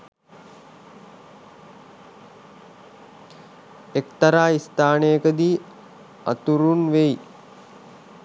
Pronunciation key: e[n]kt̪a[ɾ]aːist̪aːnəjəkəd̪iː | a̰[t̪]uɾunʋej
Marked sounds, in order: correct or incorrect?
incorrect: none, correct, correct

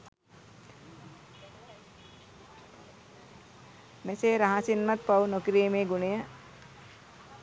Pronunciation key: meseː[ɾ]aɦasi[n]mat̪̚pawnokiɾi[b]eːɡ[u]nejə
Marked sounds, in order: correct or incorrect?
correct, correct, incorrect: m, correct

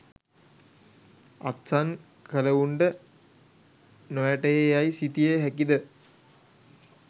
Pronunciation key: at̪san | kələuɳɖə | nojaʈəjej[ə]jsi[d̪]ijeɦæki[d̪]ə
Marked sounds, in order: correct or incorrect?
incorrect: a, incorrect: t̪, correct

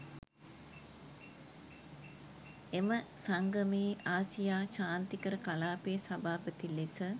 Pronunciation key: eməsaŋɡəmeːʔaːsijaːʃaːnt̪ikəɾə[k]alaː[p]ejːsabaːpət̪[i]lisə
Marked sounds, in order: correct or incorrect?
correct, correct, correct

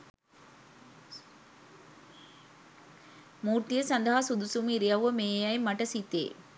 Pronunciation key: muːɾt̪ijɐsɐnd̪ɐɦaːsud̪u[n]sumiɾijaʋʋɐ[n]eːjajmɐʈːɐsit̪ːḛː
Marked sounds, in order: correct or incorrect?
incorrect: none, incorrect: m

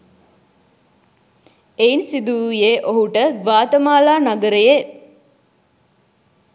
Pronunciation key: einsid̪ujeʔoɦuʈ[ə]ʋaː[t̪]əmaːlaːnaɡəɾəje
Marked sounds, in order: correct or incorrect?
correct, correct

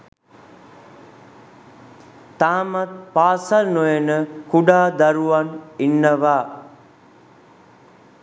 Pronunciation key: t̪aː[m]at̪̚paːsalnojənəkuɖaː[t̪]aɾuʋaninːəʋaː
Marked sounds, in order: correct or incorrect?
correct, incorrect: d̪

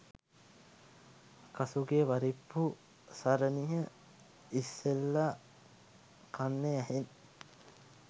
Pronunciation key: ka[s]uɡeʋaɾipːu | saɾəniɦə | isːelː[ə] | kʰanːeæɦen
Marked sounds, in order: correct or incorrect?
correct, incorrect: a

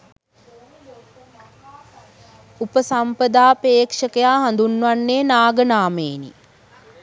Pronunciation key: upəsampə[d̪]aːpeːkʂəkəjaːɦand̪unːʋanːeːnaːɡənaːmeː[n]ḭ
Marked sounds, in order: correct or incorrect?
correct, correct

